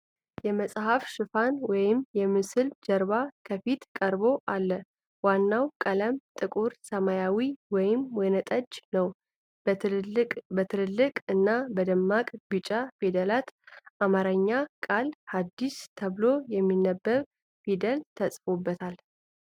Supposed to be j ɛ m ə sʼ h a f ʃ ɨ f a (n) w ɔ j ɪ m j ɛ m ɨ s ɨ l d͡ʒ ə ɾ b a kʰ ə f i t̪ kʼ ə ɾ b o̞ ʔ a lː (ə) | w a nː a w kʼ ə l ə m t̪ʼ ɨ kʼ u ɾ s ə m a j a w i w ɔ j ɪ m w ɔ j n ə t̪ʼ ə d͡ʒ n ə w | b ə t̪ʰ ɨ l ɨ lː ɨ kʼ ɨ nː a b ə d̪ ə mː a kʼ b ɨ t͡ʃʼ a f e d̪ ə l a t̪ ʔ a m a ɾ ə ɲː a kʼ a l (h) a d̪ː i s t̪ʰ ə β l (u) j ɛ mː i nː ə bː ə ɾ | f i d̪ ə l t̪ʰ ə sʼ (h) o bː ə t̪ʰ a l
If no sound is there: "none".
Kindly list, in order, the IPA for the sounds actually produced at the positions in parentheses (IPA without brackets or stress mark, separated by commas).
n, ə, h, o, f